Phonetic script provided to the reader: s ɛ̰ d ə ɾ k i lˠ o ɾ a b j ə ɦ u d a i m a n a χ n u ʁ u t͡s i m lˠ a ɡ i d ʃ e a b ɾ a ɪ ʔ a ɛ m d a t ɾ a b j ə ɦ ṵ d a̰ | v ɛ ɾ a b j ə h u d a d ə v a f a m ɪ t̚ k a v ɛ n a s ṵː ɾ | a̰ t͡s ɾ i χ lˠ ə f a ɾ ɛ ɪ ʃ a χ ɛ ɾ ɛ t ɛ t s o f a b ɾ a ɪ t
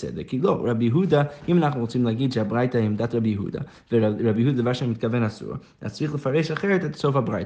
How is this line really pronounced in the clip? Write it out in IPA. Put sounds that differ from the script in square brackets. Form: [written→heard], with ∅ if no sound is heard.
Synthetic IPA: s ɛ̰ d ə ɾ k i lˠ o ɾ a b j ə ɦ u d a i m a n a χ n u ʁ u t͡s i m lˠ a ɡ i d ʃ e a b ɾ a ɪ [ʔ→t] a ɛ m d a t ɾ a b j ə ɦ ṵ d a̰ | v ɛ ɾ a b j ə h u d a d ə v a [f→ʃ] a m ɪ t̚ k a v ɛ n a s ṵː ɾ | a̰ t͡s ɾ i χ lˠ ə f a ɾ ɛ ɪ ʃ a χ ɛ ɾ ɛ t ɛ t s o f a b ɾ a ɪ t